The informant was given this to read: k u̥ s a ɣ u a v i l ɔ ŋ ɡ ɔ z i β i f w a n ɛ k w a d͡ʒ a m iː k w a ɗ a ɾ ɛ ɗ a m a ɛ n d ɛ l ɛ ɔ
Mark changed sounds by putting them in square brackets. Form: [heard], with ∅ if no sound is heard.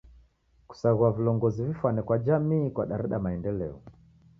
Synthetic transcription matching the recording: k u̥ s a ɣ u a v i l ɔ ŋ ɡ ɔ z i [v] i f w a n ɛ k w a d͡ʒ a m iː k w a ɗ a ɾ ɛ ɗ a m a ɛ n d ɛ l ɛ ɔ

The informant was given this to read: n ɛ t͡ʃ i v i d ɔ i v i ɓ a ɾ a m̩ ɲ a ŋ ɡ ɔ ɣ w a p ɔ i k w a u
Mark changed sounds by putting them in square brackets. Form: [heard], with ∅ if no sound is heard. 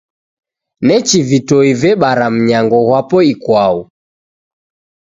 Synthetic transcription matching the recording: n ɛ t͡ʃ i v i [t] ɔ i v [ɛ] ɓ a ɾ a m̩ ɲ a ŋ ɡ ɔ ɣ w a p ɔ i k w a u

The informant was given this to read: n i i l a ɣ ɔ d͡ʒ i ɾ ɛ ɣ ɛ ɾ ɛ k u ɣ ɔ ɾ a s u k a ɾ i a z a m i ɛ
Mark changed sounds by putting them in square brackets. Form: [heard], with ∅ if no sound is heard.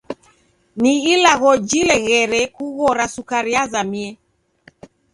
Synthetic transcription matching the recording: n i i l a ɣ ɔ d͡ʒ i [l] ɛ ɣ ɛ ɾ ɛ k u ɣ ɔ ɾ a s u k a ɾ i a z a m i ɛ

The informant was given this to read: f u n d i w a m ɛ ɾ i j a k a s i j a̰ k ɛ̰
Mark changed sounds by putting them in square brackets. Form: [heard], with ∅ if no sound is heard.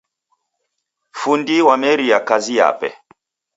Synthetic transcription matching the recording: f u n d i w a m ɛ ɾ i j a k a [z] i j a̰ [p] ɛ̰

